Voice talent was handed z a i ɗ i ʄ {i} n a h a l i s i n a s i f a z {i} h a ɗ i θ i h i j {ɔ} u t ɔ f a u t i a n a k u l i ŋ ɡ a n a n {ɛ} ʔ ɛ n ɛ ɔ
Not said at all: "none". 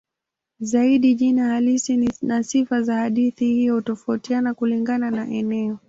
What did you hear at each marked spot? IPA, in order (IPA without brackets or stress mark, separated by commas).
i, a, ɔ, a